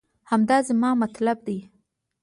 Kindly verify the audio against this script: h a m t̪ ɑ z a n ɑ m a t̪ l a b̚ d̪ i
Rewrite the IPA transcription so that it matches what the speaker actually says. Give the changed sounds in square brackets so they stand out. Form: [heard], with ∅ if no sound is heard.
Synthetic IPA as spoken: h a m [d̪] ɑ z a [m] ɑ m a t̪ l a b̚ d̪ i

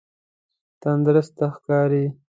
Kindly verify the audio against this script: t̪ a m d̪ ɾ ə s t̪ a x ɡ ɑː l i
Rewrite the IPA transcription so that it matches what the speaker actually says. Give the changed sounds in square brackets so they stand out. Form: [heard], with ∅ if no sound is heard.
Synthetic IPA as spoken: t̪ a [n] d̪ ɾ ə s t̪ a x [k] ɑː [ɾ] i

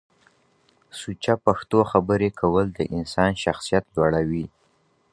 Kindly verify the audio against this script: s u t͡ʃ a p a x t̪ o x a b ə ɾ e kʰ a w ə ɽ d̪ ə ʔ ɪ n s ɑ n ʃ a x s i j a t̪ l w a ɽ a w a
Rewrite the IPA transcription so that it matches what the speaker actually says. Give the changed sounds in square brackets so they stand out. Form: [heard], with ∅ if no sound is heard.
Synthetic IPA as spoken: s u t͡ʃ a p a x t̪ o x a b ə ɾ e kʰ a w ə [l] d̪ ə ʔ ɪ n s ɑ n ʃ a x s i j a t̪ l w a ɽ a w [i]

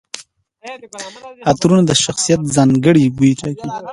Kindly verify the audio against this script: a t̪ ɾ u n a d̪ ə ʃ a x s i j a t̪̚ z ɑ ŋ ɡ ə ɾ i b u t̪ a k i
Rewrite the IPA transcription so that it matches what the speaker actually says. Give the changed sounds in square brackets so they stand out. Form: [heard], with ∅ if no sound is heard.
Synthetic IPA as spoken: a t̪ ɾ u n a d̪ ə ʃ a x s i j a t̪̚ z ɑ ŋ ɡ ə [ɽ] i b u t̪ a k i

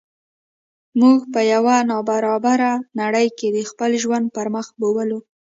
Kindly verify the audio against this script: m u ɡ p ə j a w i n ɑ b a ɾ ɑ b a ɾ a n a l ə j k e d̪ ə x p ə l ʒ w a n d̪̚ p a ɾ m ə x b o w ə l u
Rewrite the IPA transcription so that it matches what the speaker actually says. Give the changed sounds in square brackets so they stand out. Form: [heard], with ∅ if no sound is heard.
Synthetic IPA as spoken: m u ɡ p ə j a w [a] n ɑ b a ɾ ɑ b a ɾ a n a [ɽ] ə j k e d̪ ə x p ə l ʒ w a n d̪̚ p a ɾ m ə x b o w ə l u

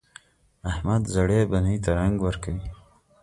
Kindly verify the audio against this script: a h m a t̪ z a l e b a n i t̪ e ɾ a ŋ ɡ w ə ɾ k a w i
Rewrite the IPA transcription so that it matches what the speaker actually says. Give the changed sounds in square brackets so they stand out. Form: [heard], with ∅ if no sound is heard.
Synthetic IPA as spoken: a h m a [d̪] z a [ɽ] e b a n i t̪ [a] ɾ a ŋ ɡ w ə ɾ k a w i

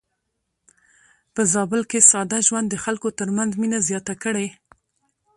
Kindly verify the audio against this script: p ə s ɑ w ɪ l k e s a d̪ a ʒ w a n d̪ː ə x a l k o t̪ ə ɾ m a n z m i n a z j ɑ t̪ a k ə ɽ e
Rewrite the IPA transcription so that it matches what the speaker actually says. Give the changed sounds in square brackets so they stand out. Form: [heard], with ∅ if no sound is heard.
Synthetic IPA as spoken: p ə [z] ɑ [b] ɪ l k e s [ɑ] d̪ a ʒ w a n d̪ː ə x a l k o t̪ ə ɾ m a n z m i n a z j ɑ t̪ a k ə ɽ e

